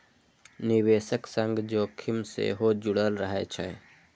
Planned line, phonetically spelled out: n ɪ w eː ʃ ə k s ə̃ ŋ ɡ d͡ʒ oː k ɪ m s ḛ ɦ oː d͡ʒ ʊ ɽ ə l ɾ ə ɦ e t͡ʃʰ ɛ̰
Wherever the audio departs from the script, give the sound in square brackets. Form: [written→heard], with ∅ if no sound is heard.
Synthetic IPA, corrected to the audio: n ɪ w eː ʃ ə k s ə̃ ŋ ɡ d͡ʒ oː [k→kʰ] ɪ m s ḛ ɦ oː d͡ʒ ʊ ɽ ə l ɾ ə ɦ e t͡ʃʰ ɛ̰